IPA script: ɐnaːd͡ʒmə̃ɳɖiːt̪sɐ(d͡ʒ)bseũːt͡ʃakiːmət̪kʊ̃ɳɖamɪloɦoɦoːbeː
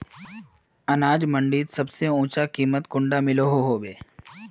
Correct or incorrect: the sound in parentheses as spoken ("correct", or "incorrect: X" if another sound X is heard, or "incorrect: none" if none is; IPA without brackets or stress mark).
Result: incorrect: none